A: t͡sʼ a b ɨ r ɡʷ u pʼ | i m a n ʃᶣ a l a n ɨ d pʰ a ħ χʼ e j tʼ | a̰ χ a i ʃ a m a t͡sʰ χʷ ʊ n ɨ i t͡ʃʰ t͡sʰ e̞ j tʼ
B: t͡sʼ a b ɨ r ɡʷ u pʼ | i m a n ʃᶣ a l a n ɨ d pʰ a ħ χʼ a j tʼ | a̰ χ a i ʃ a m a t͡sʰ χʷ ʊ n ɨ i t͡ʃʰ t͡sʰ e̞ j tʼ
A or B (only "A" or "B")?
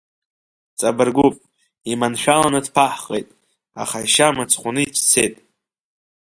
A